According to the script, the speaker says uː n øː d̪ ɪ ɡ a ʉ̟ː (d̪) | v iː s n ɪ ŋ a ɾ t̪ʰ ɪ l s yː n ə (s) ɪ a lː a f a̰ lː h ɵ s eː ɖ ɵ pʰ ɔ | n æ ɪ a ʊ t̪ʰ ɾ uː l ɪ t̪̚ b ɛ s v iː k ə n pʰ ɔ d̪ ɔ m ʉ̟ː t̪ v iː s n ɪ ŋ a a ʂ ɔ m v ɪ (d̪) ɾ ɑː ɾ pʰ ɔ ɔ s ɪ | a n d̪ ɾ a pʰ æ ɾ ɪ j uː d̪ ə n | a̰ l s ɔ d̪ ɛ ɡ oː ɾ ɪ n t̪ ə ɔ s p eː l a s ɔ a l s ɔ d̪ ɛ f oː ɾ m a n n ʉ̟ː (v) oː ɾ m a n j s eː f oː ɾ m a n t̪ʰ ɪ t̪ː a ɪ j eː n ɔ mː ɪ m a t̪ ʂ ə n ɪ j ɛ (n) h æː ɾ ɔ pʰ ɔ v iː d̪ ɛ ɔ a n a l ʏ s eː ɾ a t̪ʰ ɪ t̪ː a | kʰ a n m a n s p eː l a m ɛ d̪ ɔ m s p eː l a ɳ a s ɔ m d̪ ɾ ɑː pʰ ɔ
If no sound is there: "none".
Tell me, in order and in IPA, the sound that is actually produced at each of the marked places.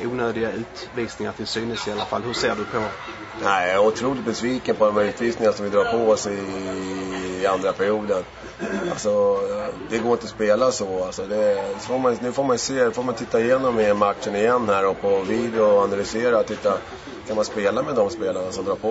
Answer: t̪, s, d̪, f, nː

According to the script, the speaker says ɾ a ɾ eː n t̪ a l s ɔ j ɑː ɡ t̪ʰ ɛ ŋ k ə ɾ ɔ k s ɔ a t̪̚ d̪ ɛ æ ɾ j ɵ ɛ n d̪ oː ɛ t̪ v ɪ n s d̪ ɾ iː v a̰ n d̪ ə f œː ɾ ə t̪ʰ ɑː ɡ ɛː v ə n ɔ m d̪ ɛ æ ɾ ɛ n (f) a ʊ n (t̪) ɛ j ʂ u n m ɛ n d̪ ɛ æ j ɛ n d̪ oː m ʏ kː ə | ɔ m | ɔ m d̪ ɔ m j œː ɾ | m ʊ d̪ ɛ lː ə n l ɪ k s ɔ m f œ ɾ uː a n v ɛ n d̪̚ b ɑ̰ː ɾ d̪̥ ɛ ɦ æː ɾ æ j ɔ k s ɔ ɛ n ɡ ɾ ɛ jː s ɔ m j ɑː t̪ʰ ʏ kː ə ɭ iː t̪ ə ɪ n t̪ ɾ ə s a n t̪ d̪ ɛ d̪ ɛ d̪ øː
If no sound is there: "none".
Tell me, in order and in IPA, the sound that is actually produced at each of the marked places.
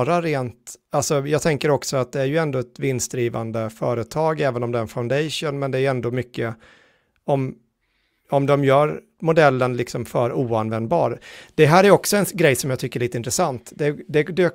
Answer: f, d̪

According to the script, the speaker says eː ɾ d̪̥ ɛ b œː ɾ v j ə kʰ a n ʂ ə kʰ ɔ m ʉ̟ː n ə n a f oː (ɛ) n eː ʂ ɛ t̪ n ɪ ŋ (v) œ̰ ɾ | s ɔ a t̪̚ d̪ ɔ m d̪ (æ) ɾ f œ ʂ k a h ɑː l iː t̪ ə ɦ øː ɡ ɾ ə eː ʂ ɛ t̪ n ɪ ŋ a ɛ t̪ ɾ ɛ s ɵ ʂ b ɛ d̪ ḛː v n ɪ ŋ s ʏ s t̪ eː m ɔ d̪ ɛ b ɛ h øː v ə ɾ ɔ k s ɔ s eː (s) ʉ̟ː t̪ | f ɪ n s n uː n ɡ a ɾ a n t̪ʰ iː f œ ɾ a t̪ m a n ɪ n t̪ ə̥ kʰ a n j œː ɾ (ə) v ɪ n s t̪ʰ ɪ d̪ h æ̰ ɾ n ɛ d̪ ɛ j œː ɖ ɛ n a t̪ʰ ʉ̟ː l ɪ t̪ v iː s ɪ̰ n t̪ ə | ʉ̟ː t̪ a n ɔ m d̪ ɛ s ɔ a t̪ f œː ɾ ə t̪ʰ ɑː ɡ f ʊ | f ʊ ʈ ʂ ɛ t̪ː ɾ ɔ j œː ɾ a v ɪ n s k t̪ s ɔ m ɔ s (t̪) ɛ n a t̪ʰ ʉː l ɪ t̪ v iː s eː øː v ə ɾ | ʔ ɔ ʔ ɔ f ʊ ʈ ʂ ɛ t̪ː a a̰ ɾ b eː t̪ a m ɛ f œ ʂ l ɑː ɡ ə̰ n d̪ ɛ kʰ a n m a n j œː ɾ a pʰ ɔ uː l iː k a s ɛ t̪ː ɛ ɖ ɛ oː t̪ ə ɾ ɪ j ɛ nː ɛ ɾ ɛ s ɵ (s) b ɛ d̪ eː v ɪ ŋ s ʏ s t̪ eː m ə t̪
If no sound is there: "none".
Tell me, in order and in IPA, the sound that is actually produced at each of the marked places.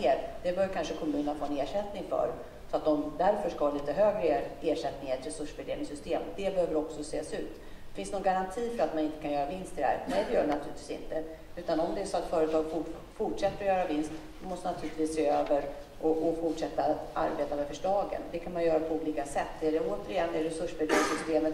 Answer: ɛ, f, æ, s, a, t̪, ʂ

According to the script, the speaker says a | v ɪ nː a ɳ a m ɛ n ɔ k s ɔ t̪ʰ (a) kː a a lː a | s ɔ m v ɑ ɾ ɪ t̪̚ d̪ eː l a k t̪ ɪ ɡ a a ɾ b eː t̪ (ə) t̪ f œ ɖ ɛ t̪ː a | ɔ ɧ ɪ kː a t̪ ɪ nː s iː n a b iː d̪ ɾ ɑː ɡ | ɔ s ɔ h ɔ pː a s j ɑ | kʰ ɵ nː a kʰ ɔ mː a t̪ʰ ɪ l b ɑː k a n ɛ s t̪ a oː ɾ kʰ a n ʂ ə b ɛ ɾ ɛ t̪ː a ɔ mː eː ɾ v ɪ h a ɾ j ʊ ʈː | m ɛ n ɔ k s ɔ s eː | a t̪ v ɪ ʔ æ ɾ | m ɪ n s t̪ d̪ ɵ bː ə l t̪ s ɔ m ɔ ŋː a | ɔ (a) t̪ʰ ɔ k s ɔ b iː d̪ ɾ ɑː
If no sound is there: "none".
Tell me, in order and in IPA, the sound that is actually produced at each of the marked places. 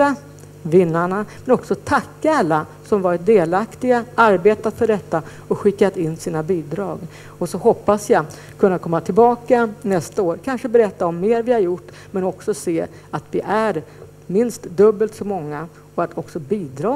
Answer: a, a, a

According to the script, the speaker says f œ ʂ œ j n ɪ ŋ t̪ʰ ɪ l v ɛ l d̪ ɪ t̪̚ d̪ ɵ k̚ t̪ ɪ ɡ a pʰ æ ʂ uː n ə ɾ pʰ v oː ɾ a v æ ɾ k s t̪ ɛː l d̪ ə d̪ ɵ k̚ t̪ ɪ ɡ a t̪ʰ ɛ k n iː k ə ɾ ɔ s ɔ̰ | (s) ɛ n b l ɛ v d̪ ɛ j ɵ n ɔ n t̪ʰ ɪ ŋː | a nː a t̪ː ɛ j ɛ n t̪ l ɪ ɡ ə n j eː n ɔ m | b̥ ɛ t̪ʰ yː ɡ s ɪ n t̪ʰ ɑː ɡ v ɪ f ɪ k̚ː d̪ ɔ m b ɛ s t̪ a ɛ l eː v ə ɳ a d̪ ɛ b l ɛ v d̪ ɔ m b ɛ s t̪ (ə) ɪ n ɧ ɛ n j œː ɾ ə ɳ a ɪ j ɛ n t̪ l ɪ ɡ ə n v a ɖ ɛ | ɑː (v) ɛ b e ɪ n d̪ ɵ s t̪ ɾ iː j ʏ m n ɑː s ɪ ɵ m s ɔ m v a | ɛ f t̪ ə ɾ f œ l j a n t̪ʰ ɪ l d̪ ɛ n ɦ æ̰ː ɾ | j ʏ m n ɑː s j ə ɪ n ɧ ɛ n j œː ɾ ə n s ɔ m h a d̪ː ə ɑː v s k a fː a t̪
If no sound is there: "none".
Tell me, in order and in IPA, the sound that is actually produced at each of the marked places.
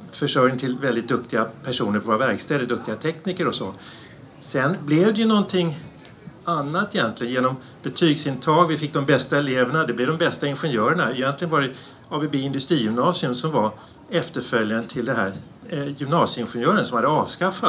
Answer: s, a, b

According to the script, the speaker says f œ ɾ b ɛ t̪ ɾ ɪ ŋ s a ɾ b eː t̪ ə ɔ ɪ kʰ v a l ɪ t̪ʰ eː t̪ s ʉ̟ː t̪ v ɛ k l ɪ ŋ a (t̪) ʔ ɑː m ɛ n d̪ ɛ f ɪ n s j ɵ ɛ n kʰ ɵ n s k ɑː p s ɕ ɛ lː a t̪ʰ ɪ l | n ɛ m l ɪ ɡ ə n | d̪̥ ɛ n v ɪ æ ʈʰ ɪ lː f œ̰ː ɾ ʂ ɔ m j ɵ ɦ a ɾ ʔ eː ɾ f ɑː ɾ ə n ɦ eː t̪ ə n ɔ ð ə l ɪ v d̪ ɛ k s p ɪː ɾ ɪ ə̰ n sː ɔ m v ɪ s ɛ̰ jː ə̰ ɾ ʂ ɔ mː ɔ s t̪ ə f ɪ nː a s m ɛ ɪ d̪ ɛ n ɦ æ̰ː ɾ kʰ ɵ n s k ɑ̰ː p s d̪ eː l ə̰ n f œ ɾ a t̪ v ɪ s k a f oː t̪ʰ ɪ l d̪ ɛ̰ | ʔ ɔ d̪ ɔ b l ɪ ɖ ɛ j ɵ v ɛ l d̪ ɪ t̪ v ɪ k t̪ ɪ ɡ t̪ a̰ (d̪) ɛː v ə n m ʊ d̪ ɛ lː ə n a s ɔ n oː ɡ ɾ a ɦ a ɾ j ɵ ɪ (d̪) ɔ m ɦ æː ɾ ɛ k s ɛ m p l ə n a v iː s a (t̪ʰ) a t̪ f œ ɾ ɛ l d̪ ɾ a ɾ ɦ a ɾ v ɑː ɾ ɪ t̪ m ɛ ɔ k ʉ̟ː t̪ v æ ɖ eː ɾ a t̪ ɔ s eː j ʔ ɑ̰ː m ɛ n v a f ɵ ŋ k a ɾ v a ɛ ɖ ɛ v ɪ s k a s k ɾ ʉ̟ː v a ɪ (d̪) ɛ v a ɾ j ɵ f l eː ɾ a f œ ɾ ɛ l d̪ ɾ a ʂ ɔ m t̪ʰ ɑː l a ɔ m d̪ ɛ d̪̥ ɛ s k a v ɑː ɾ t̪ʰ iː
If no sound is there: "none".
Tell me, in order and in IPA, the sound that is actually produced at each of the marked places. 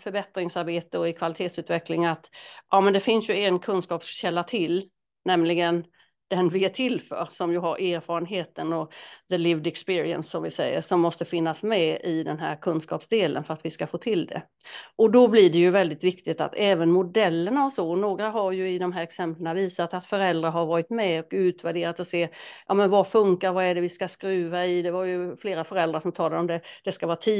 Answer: t̪, t̪, d̪, t̪, d̪

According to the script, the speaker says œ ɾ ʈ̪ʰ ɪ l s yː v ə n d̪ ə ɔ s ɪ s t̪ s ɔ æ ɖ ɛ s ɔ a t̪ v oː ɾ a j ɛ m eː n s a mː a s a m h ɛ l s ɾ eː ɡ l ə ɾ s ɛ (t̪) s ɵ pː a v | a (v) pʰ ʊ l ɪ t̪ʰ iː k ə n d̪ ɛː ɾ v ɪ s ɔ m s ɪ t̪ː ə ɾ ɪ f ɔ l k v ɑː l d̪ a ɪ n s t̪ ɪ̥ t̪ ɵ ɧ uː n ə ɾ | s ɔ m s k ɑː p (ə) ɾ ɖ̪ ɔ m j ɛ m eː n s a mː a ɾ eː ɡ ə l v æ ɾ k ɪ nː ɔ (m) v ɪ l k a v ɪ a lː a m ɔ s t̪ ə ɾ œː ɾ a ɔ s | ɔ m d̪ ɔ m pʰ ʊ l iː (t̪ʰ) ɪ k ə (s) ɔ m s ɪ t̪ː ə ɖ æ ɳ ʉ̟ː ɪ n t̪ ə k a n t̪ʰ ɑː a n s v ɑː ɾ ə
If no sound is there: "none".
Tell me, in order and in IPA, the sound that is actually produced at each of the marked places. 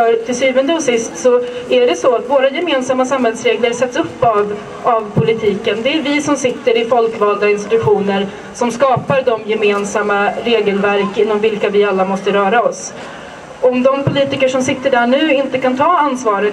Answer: t̪, v, a, m, t̪, ʂ

